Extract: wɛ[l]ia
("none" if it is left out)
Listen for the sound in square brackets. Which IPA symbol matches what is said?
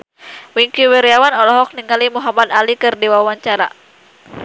ɾ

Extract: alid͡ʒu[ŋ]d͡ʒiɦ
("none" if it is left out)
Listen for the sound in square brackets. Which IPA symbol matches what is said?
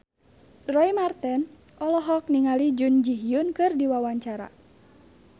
n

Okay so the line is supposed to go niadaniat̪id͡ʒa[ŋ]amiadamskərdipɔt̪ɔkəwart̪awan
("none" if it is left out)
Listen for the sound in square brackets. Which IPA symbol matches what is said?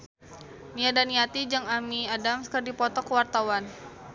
ŋ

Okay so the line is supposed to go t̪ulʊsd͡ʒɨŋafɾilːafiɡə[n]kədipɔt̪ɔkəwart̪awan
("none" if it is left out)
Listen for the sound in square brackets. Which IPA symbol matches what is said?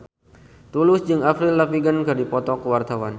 n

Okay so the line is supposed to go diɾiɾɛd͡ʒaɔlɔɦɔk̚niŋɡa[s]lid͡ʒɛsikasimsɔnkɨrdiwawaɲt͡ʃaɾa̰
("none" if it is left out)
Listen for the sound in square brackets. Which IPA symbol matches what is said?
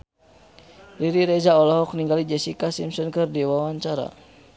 none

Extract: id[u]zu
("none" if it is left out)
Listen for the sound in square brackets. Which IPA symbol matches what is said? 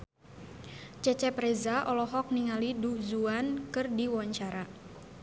u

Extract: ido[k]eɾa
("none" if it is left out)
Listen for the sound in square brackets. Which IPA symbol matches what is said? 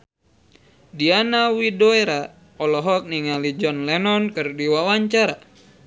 none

